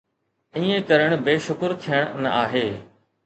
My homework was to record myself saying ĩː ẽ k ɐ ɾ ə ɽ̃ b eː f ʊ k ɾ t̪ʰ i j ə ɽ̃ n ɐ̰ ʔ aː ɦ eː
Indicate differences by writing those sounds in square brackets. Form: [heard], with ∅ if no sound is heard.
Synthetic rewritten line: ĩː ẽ k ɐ ɾ ə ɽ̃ b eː [ʃ] ʊ k ɾ t̪ʰ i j ə ɽ̃ n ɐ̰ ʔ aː ɦ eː